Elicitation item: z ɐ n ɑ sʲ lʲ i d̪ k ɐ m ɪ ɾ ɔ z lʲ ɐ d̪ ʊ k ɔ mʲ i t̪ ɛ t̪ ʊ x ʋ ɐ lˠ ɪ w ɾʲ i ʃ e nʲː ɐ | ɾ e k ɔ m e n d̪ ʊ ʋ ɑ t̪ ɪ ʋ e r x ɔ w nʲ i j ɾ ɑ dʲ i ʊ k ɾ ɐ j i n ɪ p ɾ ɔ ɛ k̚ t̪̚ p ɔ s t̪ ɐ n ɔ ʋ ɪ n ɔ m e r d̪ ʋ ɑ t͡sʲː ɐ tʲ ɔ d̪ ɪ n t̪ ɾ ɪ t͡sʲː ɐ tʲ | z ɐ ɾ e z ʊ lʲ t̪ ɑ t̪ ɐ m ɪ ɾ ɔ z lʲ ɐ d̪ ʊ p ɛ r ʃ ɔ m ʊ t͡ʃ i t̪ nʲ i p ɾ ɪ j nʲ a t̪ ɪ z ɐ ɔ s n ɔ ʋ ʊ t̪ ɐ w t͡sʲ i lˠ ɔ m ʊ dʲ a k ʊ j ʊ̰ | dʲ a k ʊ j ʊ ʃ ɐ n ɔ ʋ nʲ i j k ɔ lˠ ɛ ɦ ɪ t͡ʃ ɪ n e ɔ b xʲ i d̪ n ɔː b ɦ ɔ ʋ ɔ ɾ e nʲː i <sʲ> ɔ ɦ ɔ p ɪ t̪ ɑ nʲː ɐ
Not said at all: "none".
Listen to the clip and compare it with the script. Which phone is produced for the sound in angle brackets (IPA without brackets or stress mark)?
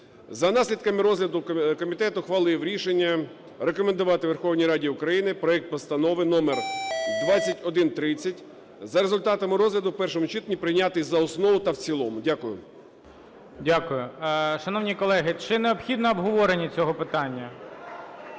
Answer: t͡sʲ